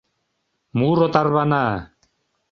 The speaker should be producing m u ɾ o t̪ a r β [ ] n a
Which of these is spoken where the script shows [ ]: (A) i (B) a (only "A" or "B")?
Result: B